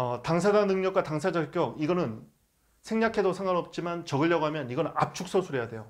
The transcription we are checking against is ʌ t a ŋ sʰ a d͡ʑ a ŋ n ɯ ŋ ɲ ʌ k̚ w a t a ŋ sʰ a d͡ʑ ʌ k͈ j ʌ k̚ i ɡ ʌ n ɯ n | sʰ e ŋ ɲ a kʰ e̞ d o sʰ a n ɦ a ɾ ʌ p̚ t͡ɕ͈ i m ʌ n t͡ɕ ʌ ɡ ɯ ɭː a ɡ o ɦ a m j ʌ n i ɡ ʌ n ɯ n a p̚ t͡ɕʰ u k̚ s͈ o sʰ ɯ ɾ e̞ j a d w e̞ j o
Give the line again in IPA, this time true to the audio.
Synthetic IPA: ʌ t a ŋ sʰ a d͡ʑ a ŋ n ɯ ŋ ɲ ʌ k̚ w a t a ŋ sʰ a d͡ʑ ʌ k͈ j ʌ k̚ i ɡ ʌ n ɯ n | sʰ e ŋ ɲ a kʰ e̞ d o sʰ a ŋ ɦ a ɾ ʌ p̚ t͡ɕ͈ i m a n t͡ɕ ʌ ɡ ɯ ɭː ʌ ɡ o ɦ a m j ʌ n i ɡ ʌ n ɯ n a p̚ t͡ɕʰ u k̚ s͈ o sʰ u ɾ e̞ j a d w e̞ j o

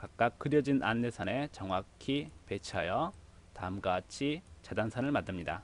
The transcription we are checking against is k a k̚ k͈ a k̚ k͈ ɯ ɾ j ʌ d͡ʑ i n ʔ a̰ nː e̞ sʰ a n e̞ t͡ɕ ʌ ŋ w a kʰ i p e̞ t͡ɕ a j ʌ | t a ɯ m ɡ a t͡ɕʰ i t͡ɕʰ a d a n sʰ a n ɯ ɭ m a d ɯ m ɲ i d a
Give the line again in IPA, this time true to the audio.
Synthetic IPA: k a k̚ k͈ a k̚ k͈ ɯ ɾ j ʌ d͡ʑ i n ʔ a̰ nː e̞ sʰ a n e̞ t͡ɕ ʌ ŋ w a kʰ i p e̞ t͡ɕʰ a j ʌ | t a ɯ m ɡ a t͡ɕʰ i t͡ɕ a d a n sʰ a n ɯ ɭ m a d ɯ m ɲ i d a

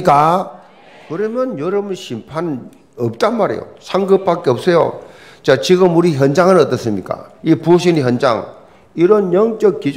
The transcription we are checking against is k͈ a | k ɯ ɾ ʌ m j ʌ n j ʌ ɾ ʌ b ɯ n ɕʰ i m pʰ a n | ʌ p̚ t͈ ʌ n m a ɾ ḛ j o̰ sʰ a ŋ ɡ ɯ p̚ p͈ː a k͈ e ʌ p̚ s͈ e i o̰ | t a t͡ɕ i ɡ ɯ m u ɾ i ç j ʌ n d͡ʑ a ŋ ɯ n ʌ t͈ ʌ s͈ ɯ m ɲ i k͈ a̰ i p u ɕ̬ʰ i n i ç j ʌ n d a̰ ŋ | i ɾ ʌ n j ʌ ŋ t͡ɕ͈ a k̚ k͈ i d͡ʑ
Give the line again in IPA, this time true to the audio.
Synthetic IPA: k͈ a | k ɯ ɾ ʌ m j ʌ n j ʌ ɾ ʌ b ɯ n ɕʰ i m pʰ a n | ʌ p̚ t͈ a n m a ɾ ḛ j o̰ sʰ a ŋ ɡ ɯ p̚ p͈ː a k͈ e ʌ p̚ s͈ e j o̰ | t͡ɕ a t͡ɕ i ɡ ɯ m u ɾ i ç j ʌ n d͡ʑ a ŋ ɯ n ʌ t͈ ʌ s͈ ɯ m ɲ i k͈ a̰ i p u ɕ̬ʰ i n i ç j ʌ n d͡ʑ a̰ ŋ | i ɾ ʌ n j ʌ ŋ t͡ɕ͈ ʌ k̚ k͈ i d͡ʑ

